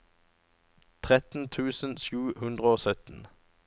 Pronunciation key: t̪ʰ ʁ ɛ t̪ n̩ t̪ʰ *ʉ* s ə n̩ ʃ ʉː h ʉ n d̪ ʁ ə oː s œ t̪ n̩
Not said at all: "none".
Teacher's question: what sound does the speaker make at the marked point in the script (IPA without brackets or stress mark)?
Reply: ʉː